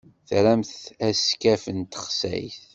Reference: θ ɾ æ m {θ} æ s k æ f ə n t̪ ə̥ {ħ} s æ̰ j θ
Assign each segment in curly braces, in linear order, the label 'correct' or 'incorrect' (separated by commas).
correct, incorrect